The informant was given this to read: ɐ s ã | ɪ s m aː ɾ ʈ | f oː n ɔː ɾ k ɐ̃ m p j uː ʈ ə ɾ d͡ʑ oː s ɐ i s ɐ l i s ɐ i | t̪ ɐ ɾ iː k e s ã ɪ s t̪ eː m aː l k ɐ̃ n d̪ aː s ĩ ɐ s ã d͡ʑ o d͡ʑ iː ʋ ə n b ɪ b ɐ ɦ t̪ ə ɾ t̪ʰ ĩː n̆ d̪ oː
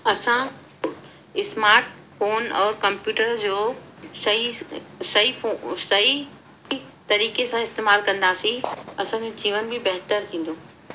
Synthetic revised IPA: ɐ s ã | ɪ s m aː ɾ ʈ | f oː n ɔː ɾ k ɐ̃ m p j uː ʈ ə ɾ d͡ʑ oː s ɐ i s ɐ i s ɐ i | t̪ ɐ ɾ iː k e s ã ɪ s t̪ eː m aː l k ɐ̃ n d̪ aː s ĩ ɐ s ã d͡ʑ o d͡ʑ iː ʋ ə n b ɪ b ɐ ɦ t̪ ə ɾ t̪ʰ ĩː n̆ d̪ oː